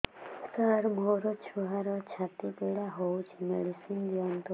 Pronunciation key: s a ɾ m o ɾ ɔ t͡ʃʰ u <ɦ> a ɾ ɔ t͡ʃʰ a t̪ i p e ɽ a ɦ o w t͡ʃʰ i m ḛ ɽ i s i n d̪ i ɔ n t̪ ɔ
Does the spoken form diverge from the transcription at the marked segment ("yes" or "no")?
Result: no